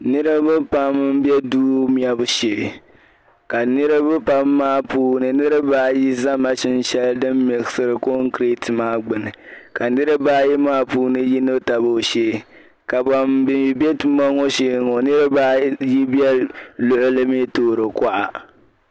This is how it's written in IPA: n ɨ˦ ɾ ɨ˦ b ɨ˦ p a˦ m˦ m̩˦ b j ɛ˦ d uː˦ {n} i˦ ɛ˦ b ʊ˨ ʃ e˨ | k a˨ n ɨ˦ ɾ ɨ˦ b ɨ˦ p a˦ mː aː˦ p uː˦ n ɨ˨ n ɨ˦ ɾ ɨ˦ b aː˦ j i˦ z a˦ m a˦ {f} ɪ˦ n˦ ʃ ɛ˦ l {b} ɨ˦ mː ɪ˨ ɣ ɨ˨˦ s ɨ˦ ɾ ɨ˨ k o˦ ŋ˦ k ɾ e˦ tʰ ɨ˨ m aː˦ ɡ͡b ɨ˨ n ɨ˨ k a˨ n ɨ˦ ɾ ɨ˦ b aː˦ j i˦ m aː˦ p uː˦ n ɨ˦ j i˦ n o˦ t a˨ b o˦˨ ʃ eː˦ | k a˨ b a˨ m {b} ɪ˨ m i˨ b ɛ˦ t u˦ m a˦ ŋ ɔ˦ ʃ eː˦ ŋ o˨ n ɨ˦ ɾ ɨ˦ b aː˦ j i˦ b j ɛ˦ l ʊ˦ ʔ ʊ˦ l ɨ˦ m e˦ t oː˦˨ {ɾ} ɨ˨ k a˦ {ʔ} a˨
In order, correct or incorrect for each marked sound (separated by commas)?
incorrect, incorrect, incorrect, correct, correct, correct